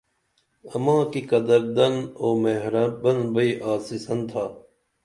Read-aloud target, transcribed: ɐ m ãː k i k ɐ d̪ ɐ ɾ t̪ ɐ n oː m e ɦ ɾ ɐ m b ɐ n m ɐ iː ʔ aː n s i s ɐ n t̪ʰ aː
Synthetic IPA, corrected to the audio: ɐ m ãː k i k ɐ d̪ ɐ ɾ d̪ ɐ n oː m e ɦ ɾ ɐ b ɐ n b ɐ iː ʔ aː s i s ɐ n t̪ʰ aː

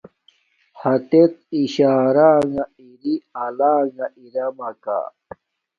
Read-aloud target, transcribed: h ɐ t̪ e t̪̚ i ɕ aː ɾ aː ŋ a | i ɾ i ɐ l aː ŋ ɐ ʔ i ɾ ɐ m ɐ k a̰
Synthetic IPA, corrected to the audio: h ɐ t̪ e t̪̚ i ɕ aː ɾ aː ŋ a | i ɾ i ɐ l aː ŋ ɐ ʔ i ɾ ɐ m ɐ k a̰

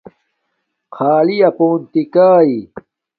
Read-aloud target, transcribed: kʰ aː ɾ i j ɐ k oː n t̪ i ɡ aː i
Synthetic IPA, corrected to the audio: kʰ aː l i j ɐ p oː n t̪ i k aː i

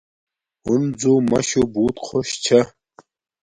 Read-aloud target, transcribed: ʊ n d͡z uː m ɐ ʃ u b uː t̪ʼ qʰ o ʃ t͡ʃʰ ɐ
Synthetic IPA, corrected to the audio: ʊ n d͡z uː m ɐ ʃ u b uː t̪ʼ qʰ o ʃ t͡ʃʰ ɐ

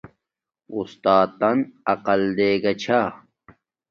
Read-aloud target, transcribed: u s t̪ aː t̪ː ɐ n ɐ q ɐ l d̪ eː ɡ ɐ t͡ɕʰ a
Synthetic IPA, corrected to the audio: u s t̪ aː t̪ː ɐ n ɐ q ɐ l d̪ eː ɡ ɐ t͡ɕʰ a

